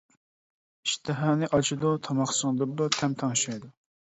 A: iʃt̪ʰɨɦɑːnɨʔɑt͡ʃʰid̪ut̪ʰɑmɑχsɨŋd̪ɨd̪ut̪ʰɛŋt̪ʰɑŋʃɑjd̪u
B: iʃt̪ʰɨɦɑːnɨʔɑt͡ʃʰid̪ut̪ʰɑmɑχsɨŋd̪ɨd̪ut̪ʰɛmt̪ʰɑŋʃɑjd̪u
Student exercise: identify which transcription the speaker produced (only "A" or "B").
B